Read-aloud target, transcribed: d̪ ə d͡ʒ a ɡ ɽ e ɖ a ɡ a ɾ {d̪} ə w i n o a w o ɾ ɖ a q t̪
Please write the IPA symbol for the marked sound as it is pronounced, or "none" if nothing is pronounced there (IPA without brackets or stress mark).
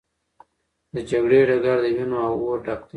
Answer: d̪